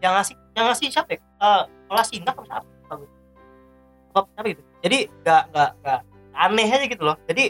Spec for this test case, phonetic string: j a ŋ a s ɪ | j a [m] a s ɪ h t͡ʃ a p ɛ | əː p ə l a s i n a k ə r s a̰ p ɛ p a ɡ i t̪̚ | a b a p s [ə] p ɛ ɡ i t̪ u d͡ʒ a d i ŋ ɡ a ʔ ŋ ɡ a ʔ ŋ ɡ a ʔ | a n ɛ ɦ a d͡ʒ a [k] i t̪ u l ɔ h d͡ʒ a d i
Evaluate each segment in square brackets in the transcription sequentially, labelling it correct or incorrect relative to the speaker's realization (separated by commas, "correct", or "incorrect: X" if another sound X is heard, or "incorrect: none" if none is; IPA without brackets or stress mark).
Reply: incorrect: ŋ, incorrect: a, incorrect: ɡ